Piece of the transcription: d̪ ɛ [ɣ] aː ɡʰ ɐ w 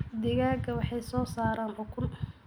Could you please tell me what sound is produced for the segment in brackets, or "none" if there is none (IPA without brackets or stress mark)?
ɣ